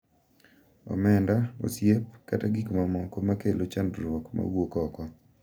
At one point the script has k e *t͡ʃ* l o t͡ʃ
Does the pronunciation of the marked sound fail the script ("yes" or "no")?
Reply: yes